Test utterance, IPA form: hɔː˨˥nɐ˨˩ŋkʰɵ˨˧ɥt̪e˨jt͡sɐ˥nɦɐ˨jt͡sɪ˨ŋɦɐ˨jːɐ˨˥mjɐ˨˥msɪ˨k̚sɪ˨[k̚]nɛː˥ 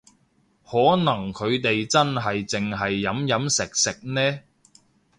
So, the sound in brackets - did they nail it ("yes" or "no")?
yes